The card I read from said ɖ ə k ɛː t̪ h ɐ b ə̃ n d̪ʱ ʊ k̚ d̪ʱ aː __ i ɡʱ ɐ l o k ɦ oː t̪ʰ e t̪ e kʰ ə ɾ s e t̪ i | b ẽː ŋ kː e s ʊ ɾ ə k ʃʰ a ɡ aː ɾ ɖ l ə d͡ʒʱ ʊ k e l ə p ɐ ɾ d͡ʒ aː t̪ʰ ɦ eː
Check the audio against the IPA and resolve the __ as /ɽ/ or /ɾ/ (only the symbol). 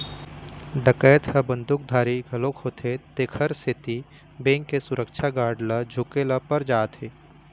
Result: ɾ